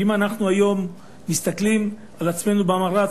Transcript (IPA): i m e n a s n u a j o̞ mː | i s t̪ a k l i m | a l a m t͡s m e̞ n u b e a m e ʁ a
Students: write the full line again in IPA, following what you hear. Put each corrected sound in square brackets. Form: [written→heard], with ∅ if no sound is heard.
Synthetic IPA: i m [e→a] n a [s→χ] n u a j o̞ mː | i s t̪ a k l i m | a l a [m→∅] t͡s m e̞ n u b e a m [e→a] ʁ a